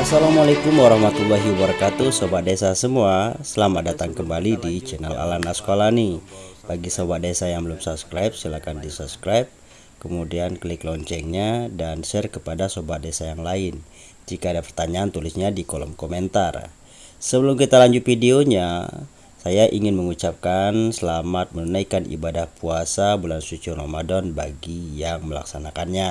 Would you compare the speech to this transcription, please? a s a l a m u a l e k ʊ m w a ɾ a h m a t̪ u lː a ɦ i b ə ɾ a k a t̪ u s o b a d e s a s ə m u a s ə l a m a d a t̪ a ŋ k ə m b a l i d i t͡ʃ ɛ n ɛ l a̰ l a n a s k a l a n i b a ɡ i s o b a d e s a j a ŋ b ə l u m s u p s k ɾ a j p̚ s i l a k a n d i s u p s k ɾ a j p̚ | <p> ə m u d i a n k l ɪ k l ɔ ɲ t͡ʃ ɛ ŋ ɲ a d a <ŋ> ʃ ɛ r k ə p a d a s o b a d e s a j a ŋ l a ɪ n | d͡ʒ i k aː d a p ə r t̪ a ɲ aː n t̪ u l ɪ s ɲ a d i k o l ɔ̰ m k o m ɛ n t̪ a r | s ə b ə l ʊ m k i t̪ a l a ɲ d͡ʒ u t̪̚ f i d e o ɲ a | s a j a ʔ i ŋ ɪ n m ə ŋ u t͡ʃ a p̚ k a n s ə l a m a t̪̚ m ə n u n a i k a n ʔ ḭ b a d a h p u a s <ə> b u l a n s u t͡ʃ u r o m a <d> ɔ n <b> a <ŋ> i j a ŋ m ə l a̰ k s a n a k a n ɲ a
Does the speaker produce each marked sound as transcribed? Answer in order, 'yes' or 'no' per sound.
no, no, no, yes, yes, no

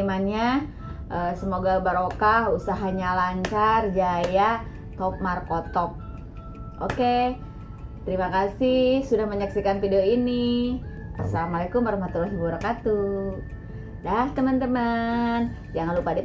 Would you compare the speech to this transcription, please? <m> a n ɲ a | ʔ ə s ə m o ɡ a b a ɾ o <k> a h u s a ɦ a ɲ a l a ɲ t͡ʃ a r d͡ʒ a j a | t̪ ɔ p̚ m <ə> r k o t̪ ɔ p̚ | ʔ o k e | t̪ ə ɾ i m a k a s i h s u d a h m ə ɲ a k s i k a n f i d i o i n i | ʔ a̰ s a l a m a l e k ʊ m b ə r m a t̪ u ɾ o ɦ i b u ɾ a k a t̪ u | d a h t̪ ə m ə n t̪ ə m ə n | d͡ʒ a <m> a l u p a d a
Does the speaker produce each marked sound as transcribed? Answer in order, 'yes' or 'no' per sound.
yes, yes, no, no

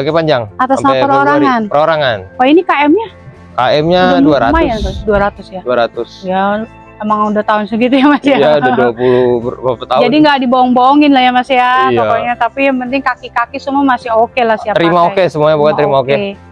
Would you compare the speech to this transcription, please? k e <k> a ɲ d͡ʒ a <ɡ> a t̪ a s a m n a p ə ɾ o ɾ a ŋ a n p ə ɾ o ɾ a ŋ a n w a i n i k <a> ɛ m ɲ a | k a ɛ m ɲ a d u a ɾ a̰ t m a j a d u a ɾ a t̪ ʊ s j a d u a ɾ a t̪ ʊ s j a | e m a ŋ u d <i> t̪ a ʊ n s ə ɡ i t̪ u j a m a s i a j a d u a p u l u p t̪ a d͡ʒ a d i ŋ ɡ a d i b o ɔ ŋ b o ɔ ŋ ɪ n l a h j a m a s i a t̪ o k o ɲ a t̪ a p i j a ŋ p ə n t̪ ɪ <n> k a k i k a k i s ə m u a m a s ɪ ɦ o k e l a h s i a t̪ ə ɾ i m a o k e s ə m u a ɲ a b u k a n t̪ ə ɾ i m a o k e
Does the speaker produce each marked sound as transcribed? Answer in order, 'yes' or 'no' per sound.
no, no, yes, no, no

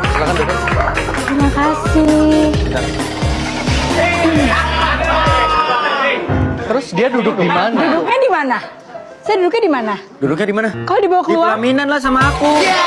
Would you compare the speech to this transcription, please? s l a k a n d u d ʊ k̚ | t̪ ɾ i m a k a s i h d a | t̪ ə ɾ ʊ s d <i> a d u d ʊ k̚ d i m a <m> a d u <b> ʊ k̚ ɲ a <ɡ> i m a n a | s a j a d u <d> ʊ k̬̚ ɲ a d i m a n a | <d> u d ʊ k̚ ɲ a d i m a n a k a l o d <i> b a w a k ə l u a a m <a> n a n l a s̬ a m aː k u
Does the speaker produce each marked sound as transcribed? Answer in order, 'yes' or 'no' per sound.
yes, no, no, no, yes, yes, yes, no

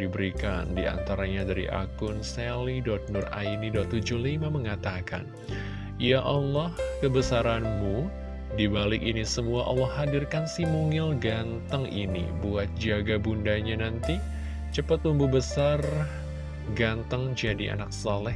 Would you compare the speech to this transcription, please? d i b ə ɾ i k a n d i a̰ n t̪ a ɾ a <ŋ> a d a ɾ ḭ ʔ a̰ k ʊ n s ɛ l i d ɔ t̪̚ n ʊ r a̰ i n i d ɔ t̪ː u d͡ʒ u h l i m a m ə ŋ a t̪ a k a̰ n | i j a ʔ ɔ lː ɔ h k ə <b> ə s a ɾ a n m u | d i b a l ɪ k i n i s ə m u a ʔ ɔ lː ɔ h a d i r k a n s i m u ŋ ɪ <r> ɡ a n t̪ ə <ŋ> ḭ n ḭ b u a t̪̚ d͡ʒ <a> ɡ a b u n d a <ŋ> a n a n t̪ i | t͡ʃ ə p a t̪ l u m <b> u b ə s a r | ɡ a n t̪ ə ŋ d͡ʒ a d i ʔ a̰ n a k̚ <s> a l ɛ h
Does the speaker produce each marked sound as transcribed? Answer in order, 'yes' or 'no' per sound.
no, yes, no, yes, yes, no, yes, yes

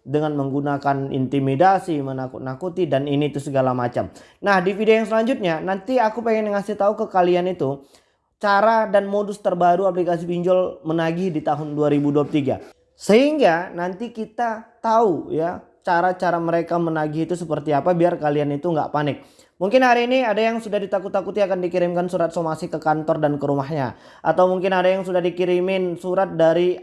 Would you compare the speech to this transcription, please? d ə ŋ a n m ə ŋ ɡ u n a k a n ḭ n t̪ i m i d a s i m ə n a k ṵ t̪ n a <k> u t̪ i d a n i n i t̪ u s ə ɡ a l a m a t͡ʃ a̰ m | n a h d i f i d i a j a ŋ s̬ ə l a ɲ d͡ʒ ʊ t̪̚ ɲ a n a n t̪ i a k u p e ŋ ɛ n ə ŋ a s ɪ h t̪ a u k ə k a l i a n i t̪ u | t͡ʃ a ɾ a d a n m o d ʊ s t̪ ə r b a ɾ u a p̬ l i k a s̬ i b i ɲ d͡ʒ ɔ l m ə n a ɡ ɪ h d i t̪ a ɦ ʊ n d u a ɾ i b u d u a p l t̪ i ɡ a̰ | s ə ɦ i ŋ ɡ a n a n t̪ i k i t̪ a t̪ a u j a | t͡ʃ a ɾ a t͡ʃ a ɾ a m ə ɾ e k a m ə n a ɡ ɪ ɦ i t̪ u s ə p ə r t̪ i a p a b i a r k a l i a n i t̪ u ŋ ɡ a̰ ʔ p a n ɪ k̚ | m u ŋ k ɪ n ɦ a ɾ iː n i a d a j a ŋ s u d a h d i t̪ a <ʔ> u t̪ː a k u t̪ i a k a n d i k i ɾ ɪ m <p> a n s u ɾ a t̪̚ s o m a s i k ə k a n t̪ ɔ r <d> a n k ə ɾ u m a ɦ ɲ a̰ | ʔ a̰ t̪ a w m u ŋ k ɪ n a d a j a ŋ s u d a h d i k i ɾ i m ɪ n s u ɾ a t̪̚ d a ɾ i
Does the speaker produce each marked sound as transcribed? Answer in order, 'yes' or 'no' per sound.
yes, no, no, yes

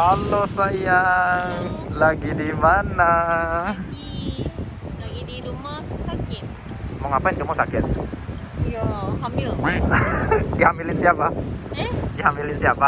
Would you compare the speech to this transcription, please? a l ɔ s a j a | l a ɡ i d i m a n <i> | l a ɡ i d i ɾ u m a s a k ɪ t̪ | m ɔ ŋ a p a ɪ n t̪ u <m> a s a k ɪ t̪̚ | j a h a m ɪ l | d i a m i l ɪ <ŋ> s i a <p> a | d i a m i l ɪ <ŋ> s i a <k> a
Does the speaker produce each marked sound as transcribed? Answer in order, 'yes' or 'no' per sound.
no, yes, no, yes, no, no

